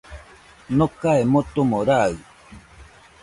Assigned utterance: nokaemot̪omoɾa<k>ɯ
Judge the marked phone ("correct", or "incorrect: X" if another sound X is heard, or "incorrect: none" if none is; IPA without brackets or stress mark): incorrect: none